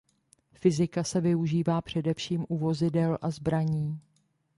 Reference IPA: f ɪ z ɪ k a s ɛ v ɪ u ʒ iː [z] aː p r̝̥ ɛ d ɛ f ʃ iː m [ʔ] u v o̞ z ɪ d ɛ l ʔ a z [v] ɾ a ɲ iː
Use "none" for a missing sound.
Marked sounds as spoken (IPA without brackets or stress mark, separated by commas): v, ʔ, b